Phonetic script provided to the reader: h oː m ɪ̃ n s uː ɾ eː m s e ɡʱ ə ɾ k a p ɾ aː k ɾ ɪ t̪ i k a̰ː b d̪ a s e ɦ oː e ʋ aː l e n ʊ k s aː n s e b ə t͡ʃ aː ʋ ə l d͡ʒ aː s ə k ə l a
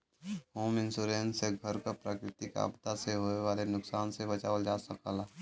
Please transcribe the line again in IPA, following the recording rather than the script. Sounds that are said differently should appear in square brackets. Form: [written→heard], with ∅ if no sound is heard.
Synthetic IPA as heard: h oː m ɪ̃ n s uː ɾ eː [m→n] s e ɡʱ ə ɾ k a p ɾ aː k ɾ ɪ t̪ i k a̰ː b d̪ a s e ɦ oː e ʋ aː l e n ʊ k s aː n s e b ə t͡ʃ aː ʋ ə l d͡ʒ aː s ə k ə l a